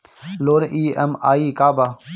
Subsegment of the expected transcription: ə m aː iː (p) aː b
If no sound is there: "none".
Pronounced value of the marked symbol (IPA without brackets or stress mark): k